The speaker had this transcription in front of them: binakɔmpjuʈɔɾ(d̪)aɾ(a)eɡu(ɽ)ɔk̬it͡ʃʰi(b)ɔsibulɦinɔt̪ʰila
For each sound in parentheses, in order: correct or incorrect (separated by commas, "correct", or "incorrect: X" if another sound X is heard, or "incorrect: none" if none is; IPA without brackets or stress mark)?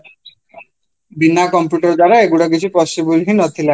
correct, correct, correct, incorrect: p